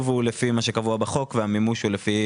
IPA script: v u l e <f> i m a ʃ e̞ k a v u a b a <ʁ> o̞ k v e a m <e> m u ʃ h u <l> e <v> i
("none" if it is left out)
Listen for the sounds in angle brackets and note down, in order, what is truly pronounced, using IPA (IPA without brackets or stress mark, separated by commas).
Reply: f, χ, i, l, f